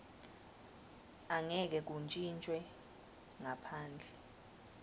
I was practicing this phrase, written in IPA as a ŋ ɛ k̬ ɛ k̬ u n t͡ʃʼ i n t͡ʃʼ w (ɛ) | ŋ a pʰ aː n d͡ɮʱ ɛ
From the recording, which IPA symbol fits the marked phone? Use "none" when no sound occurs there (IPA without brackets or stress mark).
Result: ɛ